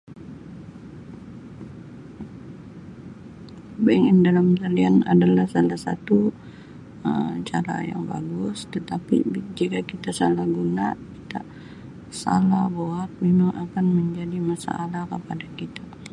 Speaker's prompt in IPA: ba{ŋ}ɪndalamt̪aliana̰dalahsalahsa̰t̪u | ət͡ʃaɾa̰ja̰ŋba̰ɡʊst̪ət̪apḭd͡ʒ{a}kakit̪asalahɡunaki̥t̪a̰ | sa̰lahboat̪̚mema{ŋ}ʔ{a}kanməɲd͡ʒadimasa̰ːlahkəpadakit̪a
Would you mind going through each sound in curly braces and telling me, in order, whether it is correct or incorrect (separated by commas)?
correct, incorrect, correct, correct